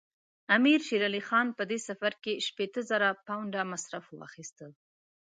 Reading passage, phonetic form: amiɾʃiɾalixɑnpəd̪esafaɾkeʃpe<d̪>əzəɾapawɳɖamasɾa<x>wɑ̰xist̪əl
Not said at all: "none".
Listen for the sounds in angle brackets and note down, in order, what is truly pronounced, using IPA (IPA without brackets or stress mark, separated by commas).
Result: t̪, f